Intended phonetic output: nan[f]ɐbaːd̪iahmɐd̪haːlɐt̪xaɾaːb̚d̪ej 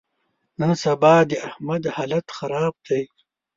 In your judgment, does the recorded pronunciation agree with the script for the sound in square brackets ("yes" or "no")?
no